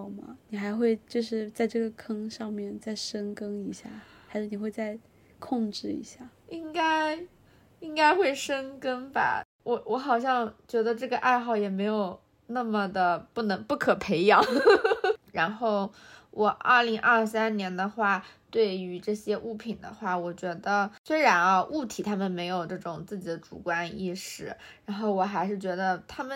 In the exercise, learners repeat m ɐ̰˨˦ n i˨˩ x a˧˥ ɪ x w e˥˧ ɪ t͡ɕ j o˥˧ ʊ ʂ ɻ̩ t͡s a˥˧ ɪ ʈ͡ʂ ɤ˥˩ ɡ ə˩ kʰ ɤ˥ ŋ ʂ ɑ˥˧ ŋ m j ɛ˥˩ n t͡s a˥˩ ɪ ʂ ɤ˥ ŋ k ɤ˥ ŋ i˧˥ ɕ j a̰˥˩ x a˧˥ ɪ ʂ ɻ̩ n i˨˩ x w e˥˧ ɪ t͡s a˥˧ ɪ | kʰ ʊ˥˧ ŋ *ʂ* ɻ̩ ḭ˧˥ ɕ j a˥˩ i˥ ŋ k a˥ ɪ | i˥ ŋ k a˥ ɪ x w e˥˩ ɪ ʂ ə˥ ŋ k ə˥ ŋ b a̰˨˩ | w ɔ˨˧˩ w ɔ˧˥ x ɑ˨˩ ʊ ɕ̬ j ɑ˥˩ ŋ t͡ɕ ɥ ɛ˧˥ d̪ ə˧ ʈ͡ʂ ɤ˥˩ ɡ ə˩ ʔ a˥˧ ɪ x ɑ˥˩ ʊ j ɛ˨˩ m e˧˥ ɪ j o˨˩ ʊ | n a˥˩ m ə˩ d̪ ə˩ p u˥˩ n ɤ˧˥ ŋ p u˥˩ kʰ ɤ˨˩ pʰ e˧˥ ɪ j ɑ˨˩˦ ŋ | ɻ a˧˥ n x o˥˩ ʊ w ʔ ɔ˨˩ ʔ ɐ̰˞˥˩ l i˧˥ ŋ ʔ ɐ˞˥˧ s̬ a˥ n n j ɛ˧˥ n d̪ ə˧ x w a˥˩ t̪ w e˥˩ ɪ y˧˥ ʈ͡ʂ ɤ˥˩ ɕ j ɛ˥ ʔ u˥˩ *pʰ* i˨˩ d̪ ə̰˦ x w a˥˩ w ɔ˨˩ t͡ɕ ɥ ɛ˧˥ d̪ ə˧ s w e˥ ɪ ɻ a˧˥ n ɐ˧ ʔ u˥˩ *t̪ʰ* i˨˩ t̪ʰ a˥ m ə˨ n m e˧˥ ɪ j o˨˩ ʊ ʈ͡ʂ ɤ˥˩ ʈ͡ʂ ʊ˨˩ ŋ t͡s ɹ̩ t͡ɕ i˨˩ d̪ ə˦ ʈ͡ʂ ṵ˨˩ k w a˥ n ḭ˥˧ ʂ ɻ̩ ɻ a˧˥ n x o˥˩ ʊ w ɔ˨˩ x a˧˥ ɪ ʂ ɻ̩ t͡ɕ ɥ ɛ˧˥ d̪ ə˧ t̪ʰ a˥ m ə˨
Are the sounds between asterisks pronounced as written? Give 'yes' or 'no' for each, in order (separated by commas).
no, yes, yes